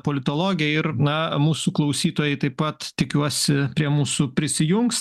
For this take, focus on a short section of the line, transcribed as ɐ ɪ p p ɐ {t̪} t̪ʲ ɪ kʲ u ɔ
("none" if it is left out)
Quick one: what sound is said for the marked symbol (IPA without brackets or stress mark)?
t̪